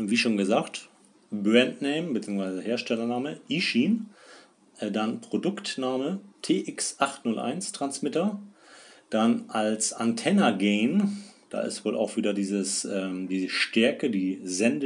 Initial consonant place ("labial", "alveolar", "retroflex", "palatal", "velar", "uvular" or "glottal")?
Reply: labial